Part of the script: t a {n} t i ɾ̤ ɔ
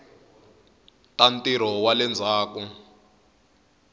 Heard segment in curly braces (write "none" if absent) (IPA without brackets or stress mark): n